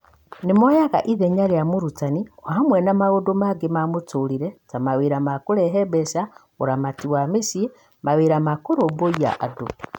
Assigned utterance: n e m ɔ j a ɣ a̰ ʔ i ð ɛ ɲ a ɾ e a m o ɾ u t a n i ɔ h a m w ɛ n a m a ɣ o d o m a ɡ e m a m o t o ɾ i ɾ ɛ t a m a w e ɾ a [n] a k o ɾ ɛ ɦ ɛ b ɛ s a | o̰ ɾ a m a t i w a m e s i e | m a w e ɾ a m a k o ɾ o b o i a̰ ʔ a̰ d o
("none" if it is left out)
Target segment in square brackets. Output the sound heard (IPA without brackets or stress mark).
m